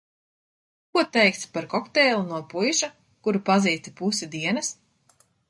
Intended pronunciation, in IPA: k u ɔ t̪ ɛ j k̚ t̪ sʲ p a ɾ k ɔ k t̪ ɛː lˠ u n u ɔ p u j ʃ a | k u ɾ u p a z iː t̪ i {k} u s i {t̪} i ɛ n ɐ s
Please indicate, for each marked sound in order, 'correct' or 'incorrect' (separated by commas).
incorrect, incorrect